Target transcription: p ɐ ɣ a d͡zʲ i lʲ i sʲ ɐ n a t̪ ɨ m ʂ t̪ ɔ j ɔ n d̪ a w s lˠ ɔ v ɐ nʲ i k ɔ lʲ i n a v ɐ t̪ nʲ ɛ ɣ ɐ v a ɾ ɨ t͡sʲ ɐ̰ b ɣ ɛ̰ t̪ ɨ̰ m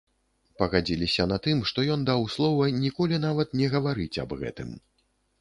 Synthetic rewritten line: p ɐ ɣ a d͡zʲ i lʲ i sʲ ɐ n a t̪ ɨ m ʂ t̪ ɔ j ɔ n d̪ a w s lˠ ɔ v ɐ nʲ i k ɔ lʲ i n a v ɐ t̪ nʲ ɛ ɣ ɐ v a ɾ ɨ t͡sʲ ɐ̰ b ɣ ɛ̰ t̪ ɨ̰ m